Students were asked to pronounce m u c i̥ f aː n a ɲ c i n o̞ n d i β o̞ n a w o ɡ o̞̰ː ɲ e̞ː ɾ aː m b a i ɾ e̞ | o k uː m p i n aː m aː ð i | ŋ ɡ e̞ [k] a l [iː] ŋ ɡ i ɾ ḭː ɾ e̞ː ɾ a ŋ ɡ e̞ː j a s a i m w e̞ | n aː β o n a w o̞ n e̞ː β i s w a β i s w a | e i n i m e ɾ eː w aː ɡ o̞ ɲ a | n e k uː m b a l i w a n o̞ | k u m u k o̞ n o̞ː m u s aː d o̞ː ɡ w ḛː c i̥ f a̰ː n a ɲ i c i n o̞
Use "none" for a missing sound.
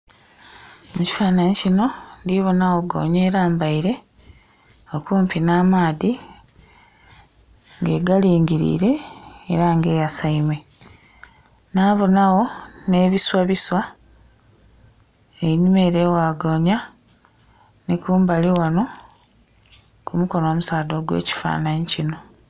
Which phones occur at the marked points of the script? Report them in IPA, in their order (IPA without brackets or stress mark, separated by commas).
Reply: ɡ, iː